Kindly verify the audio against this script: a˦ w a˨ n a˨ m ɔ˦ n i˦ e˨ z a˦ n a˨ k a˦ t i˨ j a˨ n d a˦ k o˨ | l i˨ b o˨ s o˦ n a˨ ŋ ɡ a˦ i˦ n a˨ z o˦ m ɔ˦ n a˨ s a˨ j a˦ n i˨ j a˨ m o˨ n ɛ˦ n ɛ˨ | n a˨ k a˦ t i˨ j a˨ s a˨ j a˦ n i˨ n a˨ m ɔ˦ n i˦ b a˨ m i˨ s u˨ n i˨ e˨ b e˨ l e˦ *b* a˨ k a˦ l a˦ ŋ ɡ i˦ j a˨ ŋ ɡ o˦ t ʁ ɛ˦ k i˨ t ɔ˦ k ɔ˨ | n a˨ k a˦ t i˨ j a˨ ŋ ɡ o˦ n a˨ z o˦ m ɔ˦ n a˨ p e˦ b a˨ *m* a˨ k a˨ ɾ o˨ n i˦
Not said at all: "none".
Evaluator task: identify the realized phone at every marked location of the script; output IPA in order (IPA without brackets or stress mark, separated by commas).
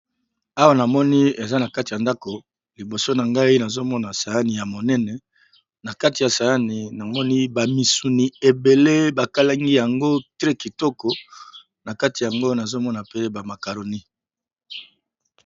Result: b, m